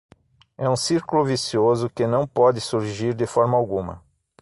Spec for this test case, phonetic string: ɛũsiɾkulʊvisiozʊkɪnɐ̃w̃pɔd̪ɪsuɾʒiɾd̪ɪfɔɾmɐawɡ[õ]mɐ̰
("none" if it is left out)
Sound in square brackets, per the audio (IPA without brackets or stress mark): ũ